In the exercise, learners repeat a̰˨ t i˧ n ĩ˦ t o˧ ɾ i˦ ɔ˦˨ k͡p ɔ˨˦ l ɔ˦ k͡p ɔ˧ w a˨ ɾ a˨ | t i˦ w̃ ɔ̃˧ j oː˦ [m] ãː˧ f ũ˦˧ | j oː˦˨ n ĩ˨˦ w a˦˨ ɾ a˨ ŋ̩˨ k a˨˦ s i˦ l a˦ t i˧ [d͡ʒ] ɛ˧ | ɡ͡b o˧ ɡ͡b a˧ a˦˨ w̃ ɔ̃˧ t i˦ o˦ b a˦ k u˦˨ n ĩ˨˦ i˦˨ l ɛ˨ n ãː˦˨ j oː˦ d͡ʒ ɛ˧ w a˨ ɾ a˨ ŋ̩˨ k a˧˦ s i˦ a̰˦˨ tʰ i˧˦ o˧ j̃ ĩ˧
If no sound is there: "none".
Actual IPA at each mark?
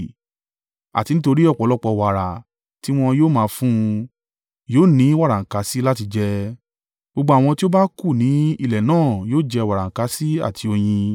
m, d͡ʒ

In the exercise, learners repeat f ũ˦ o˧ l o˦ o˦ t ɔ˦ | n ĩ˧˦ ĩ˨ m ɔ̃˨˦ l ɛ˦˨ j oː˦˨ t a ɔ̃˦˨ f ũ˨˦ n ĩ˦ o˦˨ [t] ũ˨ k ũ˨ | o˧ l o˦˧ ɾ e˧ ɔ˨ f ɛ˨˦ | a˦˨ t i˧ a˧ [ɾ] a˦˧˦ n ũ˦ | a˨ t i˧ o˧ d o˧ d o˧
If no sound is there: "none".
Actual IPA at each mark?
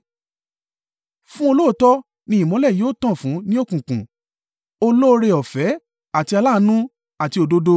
k, l

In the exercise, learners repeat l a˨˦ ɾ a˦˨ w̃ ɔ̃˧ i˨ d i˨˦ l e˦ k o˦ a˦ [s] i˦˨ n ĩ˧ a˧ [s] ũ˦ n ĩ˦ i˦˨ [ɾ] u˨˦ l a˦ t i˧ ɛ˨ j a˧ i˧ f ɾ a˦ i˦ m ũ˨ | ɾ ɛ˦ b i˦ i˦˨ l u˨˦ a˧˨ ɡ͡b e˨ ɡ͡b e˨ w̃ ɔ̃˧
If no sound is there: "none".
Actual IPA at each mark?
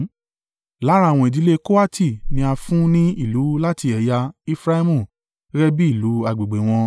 t, f, l

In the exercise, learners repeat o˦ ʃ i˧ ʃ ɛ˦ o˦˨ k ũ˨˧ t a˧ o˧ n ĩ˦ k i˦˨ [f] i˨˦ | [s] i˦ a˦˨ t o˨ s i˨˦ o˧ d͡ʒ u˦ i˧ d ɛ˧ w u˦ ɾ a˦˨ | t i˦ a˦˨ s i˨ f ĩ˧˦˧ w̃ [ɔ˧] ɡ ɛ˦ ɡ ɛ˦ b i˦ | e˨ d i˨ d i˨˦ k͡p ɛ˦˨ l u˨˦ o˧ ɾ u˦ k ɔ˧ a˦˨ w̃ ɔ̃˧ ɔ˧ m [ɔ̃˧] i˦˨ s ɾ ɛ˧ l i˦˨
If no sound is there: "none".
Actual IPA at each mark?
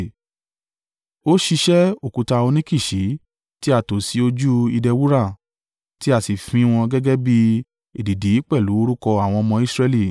ʃ, t, ɔ̃˧, ɔ̃˧

